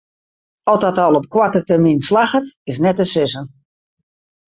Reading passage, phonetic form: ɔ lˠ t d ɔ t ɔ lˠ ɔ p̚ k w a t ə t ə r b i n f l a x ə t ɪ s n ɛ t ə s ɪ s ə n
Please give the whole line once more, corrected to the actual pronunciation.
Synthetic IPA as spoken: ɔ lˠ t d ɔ t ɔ lˠ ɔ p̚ k w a t ə t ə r m i n s l a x ə t ɪ s n ɛ t ə s ɪ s ə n